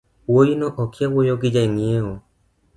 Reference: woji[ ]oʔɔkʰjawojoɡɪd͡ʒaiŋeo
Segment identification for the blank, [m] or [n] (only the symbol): n